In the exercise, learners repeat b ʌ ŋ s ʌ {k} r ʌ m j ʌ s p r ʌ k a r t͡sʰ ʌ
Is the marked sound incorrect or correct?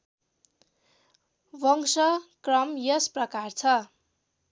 correct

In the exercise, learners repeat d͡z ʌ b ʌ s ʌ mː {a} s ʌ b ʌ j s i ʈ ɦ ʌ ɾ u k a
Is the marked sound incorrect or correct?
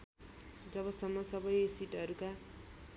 incorrect: ʌ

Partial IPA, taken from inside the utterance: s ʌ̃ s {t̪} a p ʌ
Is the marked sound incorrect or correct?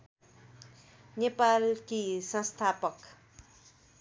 incorrect: t̪ʰ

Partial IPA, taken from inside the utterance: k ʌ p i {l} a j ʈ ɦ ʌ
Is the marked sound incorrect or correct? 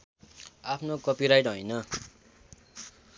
incorrect: ɾ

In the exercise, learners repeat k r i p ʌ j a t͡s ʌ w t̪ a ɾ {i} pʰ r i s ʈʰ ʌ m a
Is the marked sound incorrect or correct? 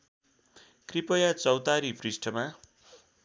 correct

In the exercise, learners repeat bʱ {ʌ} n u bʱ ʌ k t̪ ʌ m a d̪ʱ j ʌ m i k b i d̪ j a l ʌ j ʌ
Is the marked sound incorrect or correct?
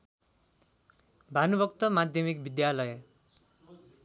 incorrect: a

